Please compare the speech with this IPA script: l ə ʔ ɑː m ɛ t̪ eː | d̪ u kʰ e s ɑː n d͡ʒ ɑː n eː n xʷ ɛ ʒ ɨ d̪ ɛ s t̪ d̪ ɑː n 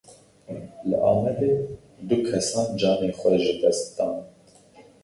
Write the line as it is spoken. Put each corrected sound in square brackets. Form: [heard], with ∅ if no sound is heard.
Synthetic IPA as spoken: l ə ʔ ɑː m ɛ [d̪] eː | d̪ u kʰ [ɛ] s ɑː n d͡ʒ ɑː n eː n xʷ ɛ ʒ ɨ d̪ ɛ s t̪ d̪ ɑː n